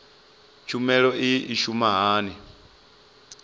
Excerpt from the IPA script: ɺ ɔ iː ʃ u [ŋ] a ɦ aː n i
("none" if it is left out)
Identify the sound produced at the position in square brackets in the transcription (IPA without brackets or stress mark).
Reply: m